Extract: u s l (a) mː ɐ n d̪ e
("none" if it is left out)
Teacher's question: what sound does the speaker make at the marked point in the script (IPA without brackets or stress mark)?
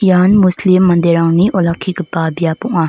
i